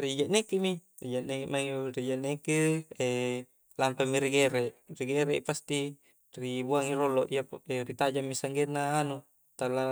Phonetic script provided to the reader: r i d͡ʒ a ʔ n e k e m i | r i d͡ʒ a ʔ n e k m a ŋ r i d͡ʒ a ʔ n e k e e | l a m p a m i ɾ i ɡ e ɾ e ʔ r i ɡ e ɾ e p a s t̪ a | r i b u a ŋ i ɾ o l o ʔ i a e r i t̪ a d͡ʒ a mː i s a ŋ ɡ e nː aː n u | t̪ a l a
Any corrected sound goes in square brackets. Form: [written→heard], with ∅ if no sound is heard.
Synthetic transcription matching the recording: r i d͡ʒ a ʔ n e k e m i | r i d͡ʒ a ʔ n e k m a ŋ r i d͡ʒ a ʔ n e k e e | l a m p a m i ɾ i ɡ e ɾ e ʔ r i ɡ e ɾ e p a s t̪ [a→i] | r i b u a ŋ i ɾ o l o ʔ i a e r i t̪ a d͡ʒ a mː i s a ŋ ɡ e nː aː n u | t̪ a l a